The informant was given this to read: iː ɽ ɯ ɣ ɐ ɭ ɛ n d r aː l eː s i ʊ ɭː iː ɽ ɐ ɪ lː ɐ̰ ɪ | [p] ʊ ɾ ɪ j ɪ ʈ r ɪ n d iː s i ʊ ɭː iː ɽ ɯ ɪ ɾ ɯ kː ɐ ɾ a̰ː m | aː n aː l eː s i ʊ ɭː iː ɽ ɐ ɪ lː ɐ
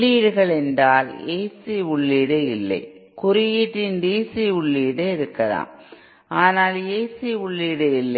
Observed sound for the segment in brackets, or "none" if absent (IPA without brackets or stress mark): k